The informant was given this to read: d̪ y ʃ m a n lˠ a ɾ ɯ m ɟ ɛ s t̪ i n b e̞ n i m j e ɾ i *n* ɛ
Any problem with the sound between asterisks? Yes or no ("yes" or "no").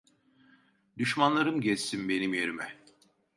yes